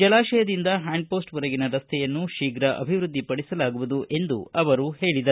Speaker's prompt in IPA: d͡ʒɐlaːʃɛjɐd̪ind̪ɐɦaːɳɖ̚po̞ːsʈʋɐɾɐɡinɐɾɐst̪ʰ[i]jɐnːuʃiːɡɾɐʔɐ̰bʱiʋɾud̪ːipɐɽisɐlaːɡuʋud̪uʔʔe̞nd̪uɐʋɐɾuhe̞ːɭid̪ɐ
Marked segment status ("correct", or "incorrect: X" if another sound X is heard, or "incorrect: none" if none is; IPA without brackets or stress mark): incorrect: ɛ